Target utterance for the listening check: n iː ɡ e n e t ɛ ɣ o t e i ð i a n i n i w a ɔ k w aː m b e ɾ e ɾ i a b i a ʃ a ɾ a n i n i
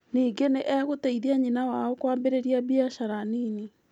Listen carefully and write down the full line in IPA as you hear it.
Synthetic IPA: n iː ɡ e n e ʔ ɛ ɣ o t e i ð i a ɲ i n a w a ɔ k w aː m b e ɾ e ɾ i a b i a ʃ a ɾ a n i n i